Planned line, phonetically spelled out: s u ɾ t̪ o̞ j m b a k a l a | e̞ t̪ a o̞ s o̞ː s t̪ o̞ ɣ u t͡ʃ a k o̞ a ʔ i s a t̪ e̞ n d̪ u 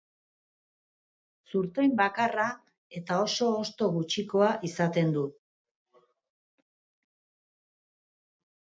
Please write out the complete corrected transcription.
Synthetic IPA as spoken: s u ɾ t̪ o̞ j m b a k a r a | e̞ t̪ a o̞ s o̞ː s t̪ o̞ ɣ u t͡ʃ i k o̞ a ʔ i s a t̪ e̞ n d̪ u

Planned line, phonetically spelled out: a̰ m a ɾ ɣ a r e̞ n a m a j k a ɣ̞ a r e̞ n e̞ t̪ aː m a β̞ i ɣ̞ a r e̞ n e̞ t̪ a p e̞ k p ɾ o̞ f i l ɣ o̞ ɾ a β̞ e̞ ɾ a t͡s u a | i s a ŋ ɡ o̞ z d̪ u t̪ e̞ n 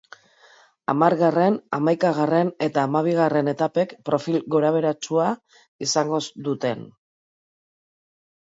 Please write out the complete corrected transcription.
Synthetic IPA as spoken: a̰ m a ɾ ɣ a r e̞ n a m a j k a ɣ̞ a r e̞ n e̞ t̪ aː m a β̞ i ɣ̞ a r e̞ n e̞ t̪ a p e̞ k p ɾ o̞ f i l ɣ o̞ ɾ a β̞ e̞ ɾ a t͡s u a | i s a ŋ ɡ o̞ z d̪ u t̪ e̞ n

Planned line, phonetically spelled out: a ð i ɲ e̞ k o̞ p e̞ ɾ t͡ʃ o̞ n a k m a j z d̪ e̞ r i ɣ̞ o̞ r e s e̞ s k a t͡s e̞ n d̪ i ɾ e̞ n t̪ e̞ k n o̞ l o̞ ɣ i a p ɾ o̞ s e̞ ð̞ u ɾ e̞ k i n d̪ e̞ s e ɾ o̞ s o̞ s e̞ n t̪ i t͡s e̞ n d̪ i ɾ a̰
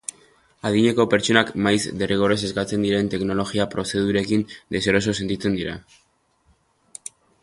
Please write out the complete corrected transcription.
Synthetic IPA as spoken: a ð i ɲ e̞ k o̞ p e̞ ɾ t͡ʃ o̞ n a k m a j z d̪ e̞ r i ɣ̞ o̞ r e s e̞ s k a t͡s e̞ n d̪ i ɾ e̞ n t̪ e̞ k n o̞ l o̞ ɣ i a p ɾ o̞ s e̞ ð̞ u ɾ e̞ k i n d̪ e̞ s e ɾ o̞ s o̞ s e̞ n t̪ i t͡s e̞ n d̪ i ɾ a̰

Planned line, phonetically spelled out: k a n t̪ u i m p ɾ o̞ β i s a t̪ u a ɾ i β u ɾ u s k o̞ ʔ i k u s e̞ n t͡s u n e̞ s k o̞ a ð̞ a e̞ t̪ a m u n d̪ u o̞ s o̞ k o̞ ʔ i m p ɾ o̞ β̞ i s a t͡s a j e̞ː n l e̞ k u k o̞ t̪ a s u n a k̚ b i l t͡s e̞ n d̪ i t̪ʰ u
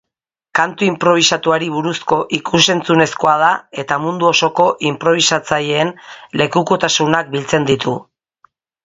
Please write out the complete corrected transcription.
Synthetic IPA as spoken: k a n t̪ u i m p ɾ o̞ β i s a t̪ u a ɾ i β u ɾ u s k o̞ ʔ i k u s e̞ n t͡s u n e̞ s k o̞ a ð̞ a e̞ t̪ a m u n d̪ u o̞ s o̞ k o̞ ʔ i m p ɾ o̞ β̞ i s a t͡s a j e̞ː n l e̞ k u k o̞ t̪ a s u n a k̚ b i l t͡s e̞ n d̪ i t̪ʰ u

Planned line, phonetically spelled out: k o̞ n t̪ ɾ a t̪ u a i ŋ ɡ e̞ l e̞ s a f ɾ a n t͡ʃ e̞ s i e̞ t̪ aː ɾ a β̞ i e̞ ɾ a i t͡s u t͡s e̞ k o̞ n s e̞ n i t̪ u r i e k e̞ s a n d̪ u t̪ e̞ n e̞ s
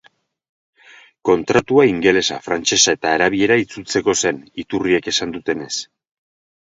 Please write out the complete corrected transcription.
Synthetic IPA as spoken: k o̞ n t̪ ɾ a t̪ u a i ŋ ɡ e̞ l e̞ s a f ɾ a n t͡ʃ e̞ s a e̞ t̪ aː ɾ a β̞ i e̞ ɾ a i t͡s u t͡s e̞ k o̞ s e̞ n i t̪ u r i e k e̞ s a n d̪ u t̪ e̞ n e̞ s

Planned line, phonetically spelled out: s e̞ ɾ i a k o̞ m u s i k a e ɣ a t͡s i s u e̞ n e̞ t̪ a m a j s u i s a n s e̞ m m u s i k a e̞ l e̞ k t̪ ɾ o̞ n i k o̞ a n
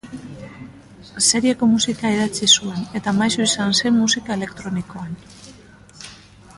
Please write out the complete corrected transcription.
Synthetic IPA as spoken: s e̞ ɾ i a k o̞ m u s i k a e ð a t͡s i s u e̞ n e̞ t̪ a m a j s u i s a n s e̞ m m u s i k a e̞ l e̞ k t̪ ɾ o̞ n i k o̞ a n

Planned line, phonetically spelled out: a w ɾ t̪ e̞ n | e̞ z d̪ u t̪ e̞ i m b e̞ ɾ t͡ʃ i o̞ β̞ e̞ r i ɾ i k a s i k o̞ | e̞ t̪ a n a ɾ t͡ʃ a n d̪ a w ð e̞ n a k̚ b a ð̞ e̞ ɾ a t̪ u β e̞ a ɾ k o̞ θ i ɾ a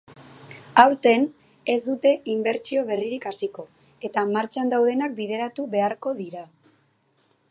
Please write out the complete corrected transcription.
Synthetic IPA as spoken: a w ɾ t̪ e̞ n | e̞ z d̪ u t̪ e̞ i m b e̞ ɾ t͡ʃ i o̞ β̞ e̞ r i ɾ i k a s i k o̞ | e̞ t̪ a m a ɾ t͡ʃ a n d̪ a w ð e̞ n a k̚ b i ð̞ e̞ ɾ a t̪ u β e̞ a ɾ k o̞ ð i ɾ a

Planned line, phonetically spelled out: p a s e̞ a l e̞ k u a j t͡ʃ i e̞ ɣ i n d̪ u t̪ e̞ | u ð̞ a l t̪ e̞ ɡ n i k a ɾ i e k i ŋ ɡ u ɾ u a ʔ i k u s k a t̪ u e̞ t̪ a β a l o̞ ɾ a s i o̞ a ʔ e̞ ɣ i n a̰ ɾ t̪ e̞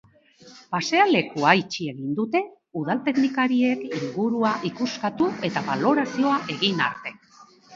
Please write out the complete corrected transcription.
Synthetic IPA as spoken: p a s e̞ a l e̞ k u a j t͡ʃ i e̞ ɣ i n d̪ u t̪ e̞ | u ð̞ a l t̪ e̞ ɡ n i k a ɾ i e k i ŋ ɡ u ɾ u a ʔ i k u s k a t̪ u e̞ t̪ a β a l o̞ ɾ a s i o̞ a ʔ e̞ ɣ i n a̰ ɾ t̪ e̞

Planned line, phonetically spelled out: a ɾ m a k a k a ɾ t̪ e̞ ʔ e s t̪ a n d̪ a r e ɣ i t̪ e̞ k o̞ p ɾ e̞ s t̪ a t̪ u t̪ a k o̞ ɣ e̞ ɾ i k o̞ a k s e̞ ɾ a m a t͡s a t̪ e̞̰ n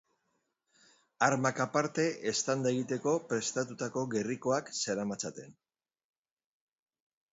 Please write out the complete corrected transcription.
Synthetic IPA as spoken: a ɾ m a k a p a ɾ t̪ e̞ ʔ e s t̪ a n d̪ a e ɣ i t̪ e̞ k o̞ p ɾ e̞ s t̪ a t̪ u t̪ a k o̞ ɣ e̞ r i k o̞ a k s e̞ ɾ a m a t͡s a t̪ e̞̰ n

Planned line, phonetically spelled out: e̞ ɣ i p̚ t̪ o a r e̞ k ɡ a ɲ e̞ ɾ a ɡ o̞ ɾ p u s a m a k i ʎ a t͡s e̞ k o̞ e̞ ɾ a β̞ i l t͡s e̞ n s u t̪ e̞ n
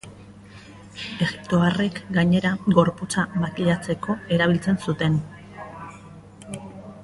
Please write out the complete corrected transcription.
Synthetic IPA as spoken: e̞ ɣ i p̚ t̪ o a r e̞ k ɡ a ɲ e̞ ɾ a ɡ o̞ ɾ p u t͡s a m a k i ʎ a t͡s e̞ k o̞ e̞ ɾ a β̞ i l t͡s e̞ n s u t̪ e̞ n

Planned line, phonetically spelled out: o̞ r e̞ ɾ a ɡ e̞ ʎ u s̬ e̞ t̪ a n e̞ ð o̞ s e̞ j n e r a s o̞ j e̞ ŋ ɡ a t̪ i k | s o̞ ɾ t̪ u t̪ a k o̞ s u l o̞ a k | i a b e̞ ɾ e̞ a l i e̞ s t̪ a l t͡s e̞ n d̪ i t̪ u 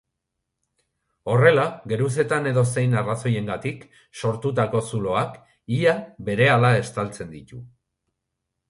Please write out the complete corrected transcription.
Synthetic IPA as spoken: o̞ r e̞ l a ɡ e̞ ɾ u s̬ e̞ t̪ a n e̞ ð o̞ s e̞ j n a r a s o̞ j e̞ ŋ ɡ a t̪ i k | s o̞ ɾ t̪ u t̪ a k o̞ s u l o̞ a k | i a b e̞ ɾ e̞ a l a e̞ s t̪ a l t͡s e̞ n d̪ i t̪ u

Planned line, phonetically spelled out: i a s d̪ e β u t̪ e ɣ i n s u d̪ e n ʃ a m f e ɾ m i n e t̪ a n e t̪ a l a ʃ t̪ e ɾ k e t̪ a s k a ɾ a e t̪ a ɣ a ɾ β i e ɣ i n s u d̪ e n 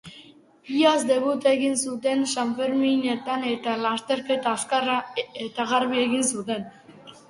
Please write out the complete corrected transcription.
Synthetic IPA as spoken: i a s d̪ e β u t̪ e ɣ i n s u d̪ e n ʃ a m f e ɾ m i n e t̪ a n e t̪ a l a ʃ t̪ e ɾ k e t̪ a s k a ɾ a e t̪ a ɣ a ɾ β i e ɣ i n s u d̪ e n

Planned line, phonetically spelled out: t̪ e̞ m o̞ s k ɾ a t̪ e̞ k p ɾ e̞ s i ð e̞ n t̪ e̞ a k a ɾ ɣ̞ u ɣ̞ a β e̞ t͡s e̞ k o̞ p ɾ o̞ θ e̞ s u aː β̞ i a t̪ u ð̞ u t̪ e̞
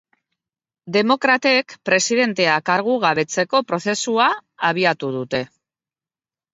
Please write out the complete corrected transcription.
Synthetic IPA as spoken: d̪ e̞ m o̞ k ɾ a t̪ e̞ k p ɾ e̞ s i ð e̞ n t̪ e̞ a k a ɾ ɣ̞ u ɣ̞ a β e̞ t͡s e̞ k o̞ p ɾ o̞ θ e̞ s u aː β̞ i a t̪ u ð̞ u t̪ e̞

